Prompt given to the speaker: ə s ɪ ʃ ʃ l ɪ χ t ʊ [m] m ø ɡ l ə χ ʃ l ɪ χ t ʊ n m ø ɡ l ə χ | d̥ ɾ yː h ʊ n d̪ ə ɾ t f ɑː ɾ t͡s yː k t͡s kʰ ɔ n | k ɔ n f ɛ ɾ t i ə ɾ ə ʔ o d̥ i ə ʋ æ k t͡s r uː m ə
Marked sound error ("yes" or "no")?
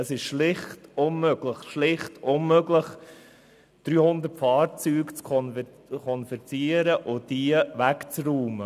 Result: yes